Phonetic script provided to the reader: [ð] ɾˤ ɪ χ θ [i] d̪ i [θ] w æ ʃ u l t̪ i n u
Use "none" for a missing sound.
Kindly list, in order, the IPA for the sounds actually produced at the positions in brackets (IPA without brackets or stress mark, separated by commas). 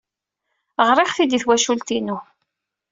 ʁ, i, θ